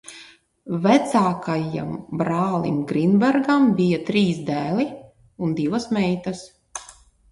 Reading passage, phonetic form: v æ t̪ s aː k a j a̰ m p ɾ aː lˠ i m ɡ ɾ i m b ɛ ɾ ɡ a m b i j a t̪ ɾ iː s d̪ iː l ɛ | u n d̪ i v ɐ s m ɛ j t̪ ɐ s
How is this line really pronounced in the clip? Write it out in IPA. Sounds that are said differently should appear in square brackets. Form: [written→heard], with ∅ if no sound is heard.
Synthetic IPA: v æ t̪ s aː k a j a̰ m [p→b] ɾ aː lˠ i m ɡ ɾ i [m→n] b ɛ ɾ ɡ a m b i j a t̪ ɾ iː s d̪ [iː→æː] l [ɛ→i] | u n d̪ i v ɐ s m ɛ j t̪ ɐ s

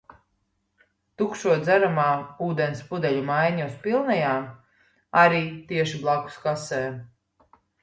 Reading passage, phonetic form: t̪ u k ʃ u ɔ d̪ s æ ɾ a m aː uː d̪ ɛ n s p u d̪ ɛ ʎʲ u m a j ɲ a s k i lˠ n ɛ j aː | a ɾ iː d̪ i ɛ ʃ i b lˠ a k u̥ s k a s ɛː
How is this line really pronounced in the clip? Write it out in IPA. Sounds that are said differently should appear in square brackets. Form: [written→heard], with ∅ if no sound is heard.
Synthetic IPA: t̪ u k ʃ u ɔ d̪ [s→z] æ ɾ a m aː uː d̪ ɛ n s p u d̪ ɛ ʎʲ u m a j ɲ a s [k→p] i lˠ n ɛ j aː | a ɾ iː [d̪→t̪] i ɛ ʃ i b lˠ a k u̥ s k a s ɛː

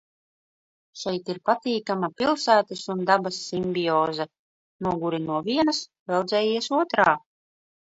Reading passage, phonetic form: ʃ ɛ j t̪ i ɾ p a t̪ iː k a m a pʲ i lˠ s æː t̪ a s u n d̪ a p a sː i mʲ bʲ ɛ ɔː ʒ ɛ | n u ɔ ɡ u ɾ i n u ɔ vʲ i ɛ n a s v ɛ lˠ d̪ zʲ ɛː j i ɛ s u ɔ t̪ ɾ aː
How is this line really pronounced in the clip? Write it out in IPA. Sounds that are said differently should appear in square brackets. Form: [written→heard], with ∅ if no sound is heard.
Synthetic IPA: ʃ ɛ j t̪ i ɾ p a t̪ iː k a m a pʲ i lˠ s æː t̪ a s u n d̪ a [p→b] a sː i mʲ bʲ [ɛ→i] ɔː [ʒ→z] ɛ | n u ɔ ɡ u ɾ i n u ɔ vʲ i ɛ n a s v ɛ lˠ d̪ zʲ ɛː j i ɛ s u ɔ t̪ ɾ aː

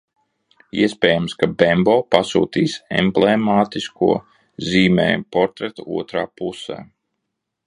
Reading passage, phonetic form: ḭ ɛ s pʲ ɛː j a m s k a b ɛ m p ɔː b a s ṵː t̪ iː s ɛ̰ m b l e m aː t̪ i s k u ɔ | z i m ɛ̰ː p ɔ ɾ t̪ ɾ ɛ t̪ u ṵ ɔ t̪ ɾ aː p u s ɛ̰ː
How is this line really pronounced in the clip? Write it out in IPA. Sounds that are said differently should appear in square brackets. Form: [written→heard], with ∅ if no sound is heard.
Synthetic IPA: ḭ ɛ s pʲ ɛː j a m s k a b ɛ m [p→b] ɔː [b→p] a s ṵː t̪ iː s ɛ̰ m b l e m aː t̪ i s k u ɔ | z [i→iː] m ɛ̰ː p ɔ ɾ t̪ ɾ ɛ t̪ u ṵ ɔ t̪ ɾ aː p u s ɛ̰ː

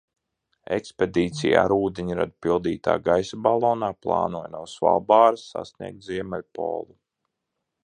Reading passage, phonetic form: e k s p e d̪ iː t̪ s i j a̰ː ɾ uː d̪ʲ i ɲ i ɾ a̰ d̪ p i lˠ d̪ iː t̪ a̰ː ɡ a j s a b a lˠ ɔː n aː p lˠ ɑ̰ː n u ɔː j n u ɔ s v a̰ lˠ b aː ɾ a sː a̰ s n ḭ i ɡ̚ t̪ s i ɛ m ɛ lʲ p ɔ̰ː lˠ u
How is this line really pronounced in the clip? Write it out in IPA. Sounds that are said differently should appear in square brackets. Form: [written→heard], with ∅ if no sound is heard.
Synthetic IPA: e k s p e d̪ iː t̪ s i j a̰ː ɾ uː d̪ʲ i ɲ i ɾ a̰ d̪ p i lˠ d̪ iː t̪ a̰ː ɡ a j s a b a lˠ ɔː n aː p lˠ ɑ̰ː n u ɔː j n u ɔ s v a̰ lˠ b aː ɾ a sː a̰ s n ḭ [i→ɛ] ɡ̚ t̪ [s→z] i ɛ m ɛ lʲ p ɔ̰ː lˠ u

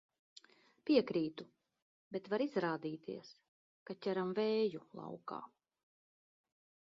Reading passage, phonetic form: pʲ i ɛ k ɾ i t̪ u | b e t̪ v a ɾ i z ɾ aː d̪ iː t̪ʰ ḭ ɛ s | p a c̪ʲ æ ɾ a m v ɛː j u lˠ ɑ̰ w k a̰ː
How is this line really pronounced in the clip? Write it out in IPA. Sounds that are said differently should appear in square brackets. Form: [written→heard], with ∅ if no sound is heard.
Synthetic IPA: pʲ i ɛ k ɾ [i→iː] t̪ u | b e t̪ v a ɾ i z ɾ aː d̪ iː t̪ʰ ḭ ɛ s | [p→k] a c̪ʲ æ ɾ a m v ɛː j u lˠ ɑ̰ w k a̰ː

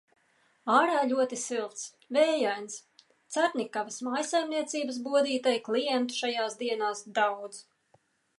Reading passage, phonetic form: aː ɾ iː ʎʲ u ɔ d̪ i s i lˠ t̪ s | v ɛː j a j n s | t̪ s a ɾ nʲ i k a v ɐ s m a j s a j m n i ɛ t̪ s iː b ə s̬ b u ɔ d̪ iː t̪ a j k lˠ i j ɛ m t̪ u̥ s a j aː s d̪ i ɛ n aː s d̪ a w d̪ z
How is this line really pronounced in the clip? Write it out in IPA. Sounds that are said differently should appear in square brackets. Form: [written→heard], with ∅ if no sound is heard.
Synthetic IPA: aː ɾ [iː→aː] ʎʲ u ɔ [d̪→t̪] i s i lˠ t̪ s | v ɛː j a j n s | t̪ s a ɾ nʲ i k a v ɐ s m a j s a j m n i ɛ t̪ s iː b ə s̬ b u ɔ d̪ iː t̪ a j k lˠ i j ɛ [m→n] t̪ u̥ [s→ʃ] a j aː s d̪ i ɛ n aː s d̪ a w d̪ z

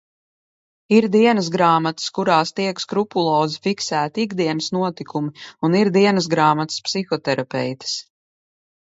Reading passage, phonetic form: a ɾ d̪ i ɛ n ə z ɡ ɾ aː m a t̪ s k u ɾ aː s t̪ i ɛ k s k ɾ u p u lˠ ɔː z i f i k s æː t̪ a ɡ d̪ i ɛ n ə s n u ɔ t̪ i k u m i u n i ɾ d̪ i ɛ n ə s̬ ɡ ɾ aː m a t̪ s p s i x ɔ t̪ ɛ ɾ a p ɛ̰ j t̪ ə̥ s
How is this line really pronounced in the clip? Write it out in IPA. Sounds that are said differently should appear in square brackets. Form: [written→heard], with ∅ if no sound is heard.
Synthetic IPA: [a→i] ɾ d̪ i ɛ n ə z ɡ ɾ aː m a t̪ s k u ɾ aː s t̪ i ɛ k s k ɾ u p u lˠ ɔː z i f i k s æː t̪ [a→i] ɡ d̪ i ɛ n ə s n u ɔ t̪ i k u m i u n i ɾ d̪ i ɛ n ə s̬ ɡ ɾ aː m a t̪ s p s i x ɔ t̪ ɛ ɾ a p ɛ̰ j t̪ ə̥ s

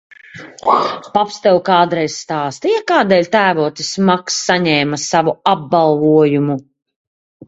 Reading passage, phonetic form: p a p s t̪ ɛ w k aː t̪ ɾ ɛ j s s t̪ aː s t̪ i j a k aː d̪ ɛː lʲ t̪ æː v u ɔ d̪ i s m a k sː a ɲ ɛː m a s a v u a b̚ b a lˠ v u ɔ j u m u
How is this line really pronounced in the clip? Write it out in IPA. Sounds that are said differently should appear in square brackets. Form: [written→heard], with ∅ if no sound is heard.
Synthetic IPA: p a p s t̪ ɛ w k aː [t̪→d̪] ɾ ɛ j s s t̪ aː s t̪ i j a k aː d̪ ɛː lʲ t̪ æː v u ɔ [d̪→t̪] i s m a k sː a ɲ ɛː m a s a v u a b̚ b a lˠ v u ɔ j u m u

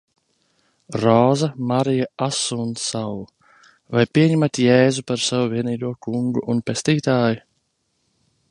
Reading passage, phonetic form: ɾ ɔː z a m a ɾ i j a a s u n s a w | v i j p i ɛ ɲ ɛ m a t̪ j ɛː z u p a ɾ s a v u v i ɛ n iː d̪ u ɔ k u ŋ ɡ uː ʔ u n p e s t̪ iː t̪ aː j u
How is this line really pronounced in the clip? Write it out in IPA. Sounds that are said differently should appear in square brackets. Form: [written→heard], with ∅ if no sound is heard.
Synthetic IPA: ɾ ɔː z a m a ɾ i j a a s u n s a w | v [i→a] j p i ɛ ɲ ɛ m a t̪ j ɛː z u p a ɾ s a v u v i ɛ n iː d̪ u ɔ k u ŋ ɡ [uː→u] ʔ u n p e s t̪ iː t̪ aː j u

